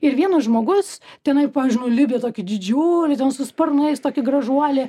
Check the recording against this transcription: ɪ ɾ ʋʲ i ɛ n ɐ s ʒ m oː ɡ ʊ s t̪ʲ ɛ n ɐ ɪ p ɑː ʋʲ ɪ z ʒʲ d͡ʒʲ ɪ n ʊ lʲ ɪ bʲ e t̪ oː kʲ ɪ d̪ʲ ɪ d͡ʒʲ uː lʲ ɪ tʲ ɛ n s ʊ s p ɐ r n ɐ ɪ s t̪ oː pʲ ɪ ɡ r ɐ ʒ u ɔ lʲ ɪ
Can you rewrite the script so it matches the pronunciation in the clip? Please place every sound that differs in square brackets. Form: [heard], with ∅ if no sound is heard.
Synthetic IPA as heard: ɪ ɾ ʋʲ i ɛ n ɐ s ʒ m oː ɡ ʊ s t̪ʲ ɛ n ɐ ɪ p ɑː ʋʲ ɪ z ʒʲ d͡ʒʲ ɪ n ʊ lʲ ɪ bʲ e t̪ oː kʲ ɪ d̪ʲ ɪ d͡ʒʲ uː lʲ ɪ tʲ ɛ n s ʊ s p ɐ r n ɐ ɪ s t̪ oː [kʲ] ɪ ɡ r ɐ ʒ u ɔ lʲ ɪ